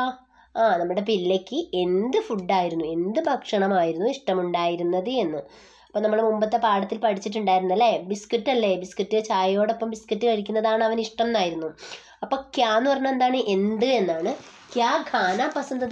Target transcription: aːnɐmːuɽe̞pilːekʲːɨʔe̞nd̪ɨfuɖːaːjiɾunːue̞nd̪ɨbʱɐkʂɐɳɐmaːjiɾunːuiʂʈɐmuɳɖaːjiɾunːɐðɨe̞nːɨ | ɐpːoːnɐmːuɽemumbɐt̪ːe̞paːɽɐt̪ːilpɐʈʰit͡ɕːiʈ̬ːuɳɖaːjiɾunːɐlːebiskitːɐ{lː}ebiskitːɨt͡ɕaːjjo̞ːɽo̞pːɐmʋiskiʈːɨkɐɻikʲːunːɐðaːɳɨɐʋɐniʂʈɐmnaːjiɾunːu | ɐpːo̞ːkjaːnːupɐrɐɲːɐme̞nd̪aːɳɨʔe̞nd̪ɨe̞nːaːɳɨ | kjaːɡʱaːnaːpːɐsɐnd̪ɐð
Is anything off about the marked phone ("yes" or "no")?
no